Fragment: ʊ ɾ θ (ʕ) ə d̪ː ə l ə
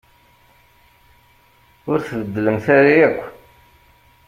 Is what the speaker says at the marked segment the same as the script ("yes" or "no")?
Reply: no